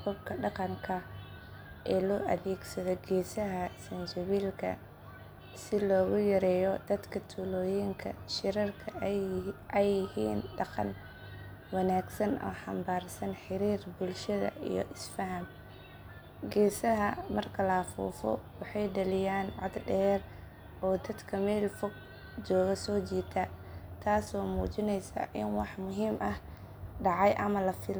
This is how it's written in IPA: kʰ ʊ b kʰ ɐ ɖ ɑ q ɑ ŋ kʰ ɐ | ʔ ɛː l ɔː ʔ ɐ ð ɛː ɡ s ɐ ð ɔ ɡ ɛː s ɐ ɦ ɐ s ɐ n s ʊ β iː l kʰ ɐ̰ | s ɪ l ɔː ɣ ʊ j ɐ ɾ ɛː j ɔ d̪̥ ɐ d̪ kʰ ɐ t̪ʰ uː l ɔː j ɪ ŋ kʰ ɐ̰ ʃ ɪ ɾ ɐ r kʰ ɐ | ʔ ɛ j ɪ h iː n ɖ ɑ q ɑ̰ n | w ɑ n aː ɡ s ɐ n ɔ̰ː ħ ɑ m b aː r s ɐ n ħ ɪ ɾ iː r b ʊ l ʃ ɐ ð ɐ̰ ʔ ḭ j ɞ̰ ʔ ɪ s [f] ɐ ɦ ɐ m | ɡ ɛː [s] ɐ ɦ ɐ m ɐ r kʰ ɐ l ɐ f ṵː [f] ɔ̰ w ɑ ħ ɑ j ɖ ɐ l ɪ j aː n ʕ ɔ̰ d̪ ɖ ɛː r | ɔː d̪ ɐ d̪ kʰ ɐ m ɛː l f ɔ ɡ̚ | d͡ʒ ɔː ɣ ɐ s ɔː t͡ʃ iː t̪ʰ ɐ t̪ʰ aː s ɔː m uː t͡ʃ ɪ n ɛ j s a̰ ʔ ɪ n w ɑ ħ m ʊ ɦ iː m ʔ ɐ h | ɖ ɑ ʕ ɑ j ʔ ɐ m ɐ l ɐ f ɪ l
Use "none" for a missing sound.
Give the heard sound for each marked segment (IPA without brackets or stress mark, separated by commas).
f, s, f